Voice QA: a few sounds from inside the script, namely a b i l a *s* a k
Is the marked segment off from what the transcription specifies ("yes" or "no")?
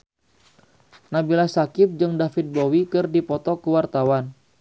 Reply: no